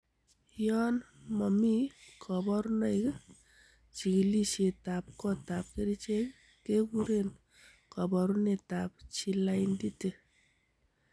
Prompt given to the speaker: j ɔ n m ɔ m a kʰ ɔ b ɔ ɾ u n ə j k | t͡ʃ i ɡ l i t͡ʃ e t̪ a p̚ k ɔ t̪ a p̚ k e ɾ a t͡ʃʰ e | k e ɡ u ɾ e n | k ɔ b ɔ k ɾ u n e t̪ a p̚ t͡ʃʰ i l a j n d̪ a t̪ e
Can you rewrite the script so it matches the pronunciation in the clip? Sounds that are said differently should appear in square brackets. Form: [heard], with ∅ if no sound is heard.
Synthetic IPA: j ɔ n m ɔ m [i] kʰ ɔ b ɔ ɾ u n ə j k | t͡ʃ i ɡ l i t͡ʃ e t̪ a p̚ k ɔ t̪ a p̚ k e ɾ [i] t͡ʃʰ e | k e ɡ u ɾ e n | k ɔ b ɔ [∅] ɾ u n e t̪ a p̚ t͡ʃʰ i l a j n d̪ [i] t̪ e